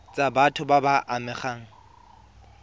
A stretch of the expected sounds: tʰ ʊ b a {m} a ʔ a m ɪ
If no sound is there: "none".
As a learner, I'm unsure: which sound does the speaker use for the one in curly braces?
b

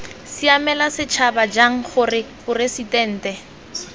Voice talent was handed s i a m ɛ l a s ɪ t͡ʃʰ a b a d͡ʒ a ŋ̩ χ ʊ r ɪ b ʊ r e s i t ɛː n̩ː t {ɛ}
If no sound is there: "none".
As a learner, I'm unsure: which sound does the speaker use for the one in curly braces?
ɛ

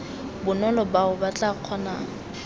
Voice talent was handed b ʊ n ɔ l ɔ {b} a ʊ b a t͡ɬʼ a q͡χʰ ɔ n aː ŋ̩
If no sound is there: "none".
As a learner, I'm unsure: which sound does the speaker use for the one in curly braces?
b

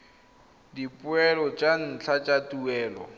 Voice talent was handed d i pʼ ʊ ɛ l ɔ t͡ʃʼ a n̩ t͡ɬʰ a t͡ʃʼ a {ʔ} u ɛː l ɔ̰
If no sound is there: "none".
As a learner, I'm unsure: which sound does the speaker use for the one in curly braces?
t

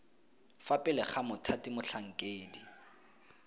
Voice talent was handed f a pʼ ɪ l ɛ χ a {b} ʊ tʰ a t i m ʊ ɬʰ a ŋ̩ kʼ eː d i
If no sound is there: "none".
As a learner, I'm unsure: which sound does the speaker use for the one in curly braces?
m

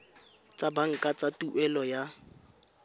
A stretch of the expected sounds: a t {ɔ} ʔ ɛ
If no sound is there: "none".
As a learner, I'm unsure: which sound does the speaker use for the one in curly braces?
u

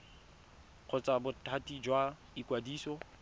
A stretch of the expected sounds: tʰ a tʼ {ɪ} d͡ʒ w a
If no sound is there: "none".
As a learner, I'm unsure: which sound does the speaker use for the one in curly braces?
i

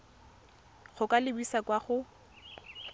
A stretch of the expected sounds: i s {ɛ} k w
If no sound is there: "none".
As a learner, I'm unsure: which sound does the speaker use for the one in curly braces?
a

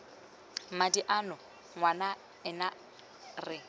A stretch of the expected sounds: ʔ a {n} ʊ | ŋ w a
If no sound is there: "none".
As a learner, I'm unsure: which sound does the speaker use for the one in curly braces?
n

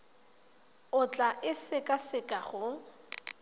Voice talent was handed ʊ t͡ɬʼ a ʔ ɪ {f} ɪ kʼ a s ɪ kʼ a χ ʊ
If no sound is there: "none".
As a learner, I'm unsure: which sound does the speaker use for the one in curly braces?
s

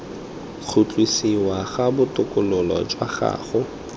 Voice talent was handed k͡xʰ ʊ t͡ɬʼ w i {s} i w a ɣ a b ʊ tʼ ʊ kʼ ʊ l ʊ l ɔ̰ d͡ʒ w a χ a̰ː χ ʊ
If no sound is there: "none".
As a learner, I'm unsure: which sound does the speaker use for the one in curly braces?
s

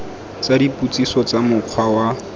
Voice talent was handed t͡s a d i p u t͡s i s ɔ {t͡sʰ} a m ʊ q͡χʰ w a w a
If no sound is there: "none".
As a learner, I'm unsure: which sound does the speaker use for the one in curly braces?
t͡s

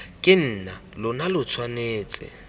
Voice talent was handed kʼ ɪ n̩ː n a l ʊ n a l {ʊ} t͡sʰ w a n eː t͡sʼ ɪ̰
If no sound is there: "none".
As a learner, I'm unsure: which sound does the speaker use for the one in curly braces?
ʊ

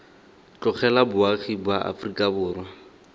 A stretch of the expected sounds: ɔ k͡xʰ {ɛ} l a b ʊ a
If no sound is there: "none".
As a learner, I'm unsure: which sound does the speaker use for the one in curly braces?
ɛ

